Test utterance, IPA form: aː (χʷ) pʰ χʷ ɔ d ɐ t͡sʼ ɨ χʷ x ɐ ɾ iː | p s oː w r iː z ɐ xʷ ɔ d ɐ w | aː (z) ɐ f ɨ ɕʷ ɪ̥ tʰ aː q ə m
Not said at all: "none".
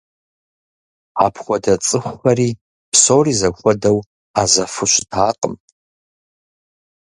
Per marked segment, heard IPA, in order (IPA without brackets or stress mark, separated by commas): none, z